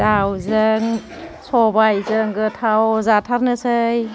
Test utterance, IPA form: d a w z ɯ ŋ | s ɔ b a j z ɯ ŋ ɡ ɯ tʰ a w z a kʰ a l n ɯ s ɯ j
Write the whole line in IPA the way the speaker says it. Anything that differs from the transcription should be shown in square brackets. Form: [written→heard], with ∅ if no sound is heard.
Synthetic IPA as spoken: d a w z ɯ ŋ | s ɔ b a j z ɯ ŋ ɡ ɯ tʰ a w z a [kʰ→tʰ] a [l→ɾ] n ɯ s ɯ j